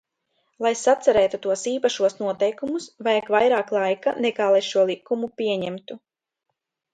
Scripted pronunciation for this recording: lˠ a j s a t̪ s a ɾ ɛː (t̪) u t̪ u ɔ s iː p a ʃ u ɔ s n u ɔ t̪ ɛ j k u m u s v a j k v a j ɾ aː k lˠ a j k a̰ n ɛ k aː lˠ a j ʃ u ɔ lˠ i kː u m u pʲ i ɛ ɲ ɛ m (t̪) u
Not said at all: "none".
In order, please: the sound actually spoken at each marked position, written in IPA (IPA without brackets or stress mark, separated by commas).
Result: t̪, t̪